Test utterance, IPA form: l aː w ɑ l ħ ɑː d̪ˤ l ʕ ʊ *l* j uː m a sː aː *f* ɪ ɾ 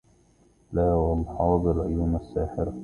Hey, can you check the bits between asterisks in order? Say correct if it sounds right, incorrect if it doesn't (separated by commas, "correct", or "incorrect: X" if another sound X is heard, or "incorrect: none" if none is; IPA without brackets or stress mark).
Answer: incorrect: none, incorrect: ħ